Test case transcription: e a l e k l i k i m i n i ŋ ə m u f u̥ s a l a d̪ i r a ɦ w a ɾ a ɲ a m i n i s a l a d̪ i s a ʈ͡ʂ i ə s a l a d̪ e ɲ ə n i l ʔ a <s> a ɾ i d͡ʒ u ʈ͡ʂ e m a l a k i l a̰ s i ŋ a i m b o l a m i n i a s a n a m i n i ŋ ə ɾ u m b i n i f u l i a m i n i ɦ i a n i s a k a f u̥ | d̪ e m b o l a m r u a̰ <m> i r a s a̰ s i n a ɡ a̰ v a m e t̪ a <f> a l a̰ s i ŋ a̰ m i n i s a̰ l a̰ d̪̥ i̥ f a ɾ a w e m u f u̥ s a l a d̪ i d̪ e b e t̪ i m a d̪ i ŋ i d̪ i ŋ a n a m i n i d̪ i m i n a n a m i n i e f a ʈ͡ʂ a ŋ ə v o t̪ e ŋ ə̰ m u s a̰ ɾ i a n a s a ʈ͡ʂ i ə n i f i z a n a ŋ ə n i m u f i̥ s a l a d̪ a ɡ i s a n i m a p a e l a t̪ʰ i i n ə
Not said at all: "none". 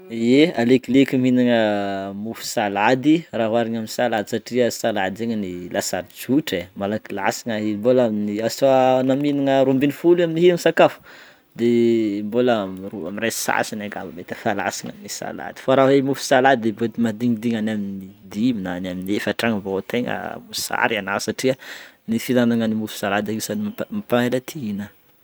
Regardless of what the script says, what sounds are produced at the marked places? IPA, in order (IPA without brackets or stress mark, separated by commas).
s, m, f